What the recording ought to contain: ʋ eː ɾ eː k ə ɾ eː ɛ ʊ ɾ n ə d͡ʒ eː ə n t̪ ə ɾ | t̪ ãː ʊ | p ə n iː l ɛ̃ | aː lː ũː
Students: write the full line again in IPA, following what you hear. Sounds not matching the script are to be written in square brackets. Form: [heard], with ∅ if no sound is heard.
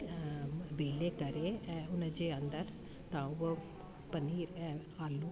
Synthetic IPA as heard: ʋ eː [l] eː k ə ɾ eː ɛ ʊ [∅] n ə d͡ʒ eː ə n [d̪] ə ɾ | t̪ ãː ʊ | p ə n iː [ɾ] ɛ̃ | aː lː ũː